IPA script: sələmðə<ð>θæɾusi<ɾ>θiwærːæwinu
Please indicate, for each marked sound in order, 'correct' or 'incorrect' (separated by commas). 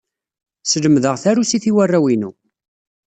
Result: incorrect, incorrect